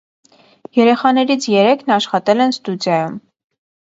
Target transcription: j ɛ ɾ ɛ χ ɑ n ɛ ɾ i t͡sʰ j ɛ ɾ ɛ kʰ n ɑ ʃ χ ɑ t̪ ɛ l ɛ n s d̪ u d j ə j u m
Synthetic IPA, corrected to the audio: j ɛ ɾ ɛ χ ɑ n ɛ ɾ i t͡sʰ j ɛ ɾ ɛ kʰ n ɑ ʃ χ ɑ t̪ ɛ l ɛ n s t̪ u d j ɑ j u m